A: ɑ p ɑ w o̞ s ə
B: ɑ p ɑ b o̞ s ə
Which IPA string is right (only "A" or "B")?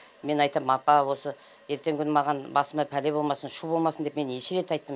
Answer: A